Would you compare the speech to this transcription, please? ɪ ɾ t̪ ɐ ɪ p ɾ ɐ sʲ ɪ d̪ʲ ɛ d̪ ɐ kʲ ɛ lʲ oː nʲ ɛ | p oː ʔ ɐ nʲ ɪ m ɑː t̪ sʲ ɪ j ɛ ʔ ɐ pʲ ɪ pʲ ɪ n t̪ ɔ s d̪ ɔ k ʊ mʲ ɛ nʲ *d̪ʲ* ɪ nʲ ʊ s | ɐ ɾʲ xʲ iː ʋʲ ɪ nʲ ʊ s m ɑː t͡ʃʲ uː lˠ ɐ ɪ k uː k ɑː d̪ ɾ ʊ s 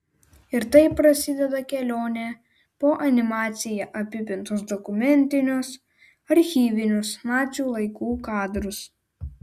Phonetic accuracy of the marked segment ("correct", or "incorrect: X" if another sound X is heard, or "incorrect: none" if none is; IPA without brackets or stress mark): incorrect: t̪ʲ